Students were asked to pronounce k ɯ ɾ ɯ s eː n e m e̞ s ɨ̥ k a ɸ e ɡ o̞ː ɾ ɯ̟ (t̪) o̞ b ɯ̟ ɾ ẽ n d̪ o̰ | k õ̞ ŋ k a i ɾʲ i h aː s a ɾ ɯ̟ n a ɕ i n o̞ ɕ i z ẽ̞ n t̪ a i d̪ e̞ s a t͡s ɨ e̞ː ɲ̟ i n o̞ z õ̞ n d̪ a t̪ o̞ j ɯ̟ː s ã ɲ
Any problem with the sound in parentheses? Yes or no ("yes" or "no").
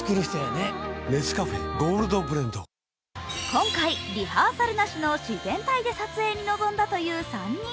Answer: yes